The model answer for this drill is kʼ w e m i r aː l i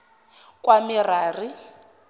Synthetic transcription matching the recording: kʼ w a m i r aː r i